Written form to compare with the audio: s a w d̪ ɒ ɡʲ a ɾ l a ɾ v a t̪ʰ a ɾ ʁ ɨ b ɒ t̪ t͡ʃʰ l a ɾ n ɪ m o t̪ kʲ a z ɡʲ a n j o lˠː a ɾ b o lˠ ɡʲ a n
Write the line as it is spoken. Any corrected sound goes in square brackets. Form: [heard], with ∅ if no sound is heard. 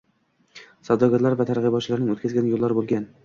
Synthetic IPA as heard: s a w d̪ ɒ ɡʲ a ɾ l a ɾ v a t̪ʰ a ɾ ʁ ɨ b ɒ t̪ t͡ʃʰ l a ɾ n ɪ [ŋ] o t̪ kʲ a z ɡʲ a n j o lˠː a ɾ b o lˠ ɡʲ a n